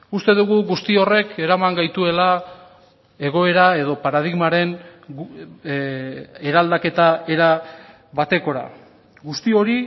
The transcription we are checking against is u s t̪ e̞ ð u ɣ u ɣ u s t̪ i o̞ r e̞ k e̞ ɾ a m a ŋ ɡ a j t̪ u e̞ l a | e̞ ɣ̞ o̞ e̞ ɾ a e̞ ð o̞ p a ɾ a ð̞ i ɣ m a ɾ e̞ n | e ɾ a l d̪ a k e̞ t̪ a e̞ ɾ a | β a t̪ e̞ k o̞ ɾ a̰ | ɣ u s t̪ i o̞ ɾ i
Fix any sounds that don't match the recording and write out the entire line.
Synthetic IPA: u s t̪ e̞ ð u ɣ u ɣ u s t̪ i o̞ r e̞ k e̞ ɾ a m a ŋ ɡ a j t̪ u e̞ l a | e̞ ɣ̞ o̞ e̞ ɾ a e̞ ð o̞ p a ɾ a ð̞ i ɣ m a ɾ e̞ n | e ɾ a l d̪ a k e̞ t̪ a e̞ ɾ a | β a t̪ e̞ k o̞ ɾ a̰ | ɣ u s t̪ i o̞ ɾ i